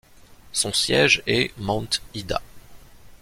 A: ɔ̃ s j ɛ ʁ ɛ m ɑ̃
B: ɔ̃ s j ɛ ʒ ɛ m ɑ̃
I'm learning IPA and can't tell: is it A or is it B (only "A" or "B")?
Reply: B